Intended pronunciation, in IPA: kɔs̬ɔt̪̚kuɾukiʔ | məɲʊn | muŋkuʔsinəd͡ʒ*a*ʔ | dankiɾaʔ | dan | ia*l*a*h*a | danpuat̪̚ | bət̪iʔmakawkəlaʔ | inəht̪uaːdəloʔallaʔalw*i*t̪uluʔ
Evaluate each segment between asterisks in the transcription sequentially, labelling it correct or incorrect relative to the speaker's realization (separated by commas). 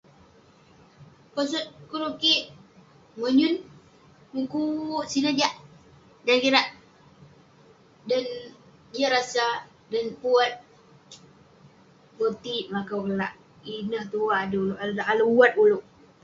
correct, incorrect, incorrect, incorrect